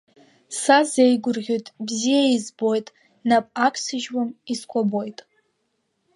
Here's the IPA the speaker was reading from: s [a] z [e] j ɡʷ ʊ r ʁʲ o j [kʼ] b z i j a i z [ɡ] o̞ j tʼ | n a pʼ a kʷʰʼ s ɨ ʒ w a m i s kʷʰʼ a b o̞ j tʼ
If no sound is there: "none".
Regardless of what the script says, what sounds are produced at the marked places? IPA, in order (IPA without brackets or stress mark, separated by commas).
a, e, tʼ, b